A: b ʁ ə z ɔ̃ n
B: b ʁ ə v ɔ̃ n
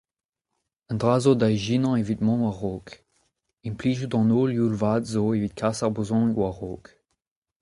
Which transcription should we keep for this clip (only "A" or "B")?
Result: A